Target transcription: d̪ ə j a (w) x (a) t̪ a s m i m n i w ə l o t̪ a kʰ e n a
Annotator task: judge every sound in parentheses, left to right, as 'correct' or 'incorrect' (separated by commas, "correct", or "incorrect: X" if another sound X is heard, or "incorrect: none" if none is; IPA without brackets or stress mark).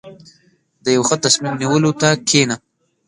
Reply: correct, incorrect: ə